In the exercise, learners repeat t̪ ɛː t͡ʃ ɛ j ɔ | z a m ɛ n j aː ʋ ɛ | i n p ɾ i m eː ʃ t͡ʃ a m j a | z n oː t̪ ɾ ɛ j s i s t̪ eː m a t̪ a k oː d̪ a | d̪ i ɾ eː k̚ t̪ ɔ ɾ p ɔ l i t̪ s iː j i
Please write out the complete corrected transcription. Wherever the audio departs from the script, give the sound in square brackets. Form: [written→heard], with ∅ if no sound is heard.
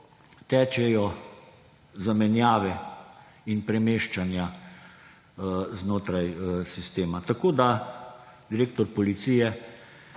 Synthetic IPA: t̪ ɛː t͡ʃ ɛ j ɔ | z a m ɛ n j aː ʋ ɛ | i n p ɾ [i→ɛ] m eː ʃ t͡ʃ a [m→n] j a | z n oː t̪ ɾ [ɛ→a] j s i s t̪ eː m a t̪ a k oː d̪ a | d̪ i ɾ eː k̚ t̪ ɔ ɾ p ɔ l i t̪ s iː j [i→ɛ]